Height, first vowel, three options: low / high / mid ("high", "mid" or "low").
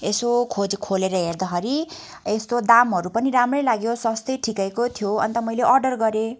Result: mid